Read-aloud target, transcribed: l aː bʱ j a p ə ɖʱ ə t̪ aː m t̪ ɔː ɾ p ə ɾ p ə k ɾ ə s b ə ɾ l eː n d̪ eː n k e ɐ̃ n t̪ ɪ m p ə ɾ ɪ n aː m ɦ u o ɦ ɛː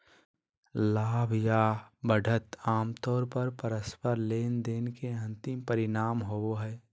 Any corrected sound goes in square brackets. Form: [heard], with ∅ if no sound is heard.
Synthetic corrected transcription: l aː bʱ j a [b] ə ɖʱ ə t̪ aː m t̪ ɔː ɾ p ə ɾ p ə [∅] ɾ ə s [p] ə ɾ l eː n d̪ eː n k e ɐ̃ n t̪ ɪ m p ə ɾ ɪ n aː m ɦ [o] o ɦ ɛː